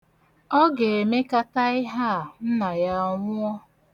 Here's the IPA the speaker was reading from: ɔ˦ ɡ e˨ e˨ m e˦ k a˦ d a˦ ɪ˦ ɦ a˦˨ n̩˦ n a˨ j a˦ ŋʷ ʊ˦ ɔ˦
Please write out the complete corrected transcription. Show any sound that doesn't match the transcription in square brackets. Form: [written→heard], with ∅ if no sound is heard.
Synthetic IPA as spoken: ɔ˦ ɡ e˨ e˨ m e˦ k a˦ [d→t] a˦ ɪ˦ ɦ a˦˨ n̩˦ n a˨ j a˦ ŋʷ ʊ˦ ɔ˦